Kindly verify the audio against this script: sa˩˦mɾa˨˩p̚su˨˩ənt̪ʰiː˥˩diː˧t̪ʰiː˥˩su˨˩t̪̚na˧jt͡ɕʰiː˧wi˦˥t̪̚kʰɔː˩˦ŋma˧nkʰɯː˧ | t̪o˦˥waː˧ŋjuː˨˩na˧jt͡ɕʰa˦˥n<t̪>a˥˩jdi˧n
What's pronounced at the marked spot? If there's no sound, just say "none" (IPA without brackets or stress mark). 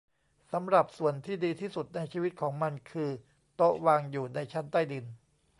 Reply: t̪